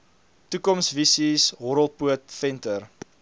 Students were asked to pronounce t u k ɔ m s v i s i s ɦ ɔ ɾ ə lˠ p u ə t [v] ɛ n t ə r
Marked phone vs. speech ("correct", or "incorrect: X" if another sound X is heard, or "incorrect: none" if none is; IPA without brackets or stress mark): incorrect: f